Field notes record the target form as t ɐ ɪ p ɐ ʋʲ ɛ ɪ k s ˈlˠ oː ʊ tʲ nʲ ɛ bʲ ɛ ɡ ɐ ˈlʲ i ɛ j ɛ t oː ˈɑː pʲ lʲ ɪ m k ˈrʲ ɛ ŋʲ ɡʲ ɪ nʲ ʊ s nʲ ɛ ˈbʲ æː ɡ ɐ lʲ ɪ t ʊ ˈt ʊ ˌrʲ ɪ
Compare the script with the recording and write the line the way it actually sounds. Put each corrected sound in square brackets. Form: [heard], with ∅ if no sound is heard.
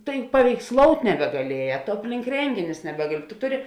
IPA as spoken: t ɐ ɪ p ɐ ʋʲ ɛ ɪ k s ˈlˠ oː ʊ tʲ nʲ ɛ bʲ ɛ ɡ ɐ ˈlʲ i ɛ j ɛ t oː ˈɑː pʲ lʲ ɪ [ŋ] k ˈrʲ ɛ ŋʲ ɡʲ ɪ nʲ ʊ s nʲ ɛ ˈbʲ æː ɡ ɐ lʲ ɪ t ʊ ˈt ʊ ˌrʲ ɪ